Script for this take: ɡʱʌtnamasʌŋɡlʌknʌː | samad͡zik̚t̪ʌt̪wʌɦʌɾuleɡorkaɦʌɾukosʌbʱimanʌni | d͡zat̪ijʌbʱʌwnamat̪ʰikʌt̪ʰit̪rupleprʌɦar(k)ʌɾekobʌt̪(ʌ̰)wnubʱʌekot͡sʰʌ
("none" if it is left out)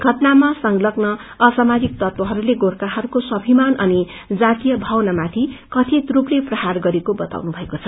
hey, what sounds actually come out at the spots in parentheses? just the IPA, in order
ɡ, a̰

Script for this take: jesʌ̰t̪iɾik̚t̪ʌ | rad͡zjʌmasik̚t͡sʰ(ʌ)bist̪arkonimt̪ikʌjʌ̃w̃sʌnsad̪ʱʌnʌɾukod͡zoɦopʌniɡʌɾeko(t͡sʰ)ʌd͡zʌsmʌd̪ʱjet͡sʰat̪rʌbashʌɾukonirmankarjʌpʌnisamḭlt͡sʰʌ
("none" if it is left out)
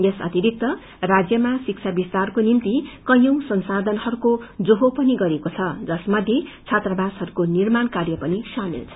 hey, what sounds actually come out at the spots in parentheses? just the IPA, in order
a, t͡sʰ

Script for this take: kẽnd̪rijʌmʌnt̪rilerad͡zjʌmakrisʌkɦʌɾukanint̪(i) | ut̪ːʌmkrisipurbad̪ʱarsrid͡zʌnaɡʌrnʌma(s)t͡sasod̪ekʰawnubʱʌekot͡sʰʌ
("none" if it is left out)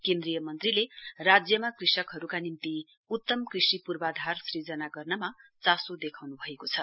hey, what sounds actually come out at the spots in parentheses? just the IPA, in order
i, none

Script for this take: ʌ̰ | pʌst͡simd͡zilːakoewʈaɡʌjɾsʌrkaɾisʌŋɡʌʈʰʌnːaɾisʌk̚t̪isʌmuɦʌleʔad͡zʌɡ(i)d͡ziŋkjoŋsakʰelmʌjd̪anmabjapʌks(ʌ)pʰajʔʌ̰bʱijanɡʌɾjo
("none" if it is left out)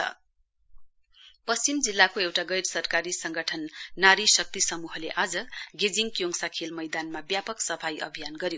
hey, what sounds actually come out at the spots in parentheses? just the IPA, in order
e, ʌ

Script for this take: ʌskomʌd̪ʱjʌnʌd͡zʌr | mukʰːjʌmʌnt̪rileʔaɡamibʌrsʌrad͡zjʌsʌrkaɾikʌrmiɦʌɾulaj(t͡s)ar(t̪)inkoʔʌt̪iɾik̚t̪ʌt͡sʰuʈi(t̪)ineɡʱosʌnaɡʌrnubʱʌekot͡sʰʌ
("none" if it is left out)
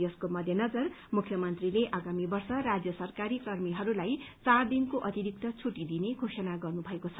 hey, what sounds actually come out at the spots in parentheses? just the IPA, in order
t͡s, d̪, d̪

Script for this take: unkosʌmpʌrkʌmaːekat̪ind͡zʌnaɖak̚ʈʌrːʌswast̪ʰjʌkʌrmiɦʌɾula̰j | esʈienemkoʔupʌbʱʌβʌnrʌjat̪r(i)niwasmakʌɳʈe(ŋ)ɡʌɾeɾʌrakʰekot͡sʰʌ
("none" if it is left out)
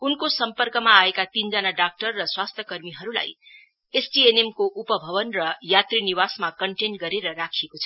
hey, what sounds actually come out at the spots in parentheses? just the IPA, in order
i, n

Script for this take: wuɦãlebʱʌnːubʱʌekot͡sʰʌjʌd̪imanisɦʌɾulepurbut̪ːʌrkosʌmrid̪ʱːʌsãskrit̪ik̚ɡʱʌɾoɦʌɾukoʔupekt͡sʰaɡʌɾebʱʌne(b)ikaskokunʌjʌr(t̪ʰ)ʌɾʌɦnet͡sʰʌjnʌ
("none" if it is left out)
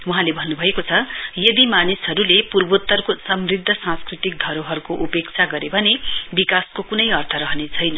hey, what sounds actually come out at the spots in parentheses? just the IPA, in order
b, t̪ʰ

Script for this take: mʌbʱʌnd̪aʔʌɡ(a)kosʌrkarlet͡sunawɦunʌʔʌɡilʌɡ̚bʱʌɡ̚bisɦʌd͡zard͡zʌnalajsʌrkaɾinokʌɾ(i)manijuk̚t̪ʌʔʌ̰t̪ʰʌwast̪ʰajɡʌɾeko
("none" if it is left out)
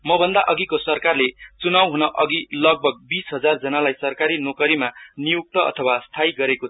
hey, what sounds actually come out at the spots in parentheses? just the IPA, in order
i, i

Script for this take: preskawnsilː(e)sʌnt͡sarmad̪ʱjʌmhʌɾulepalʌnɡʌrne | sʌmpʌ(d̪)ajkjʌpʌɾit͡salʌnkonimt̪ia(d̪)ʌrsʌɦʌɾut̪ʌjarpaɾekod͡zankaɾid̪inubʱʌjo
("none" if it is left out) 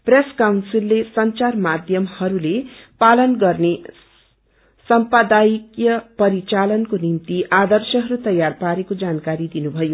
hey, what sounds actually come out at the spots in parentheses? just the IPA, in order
e, d̪, d̪

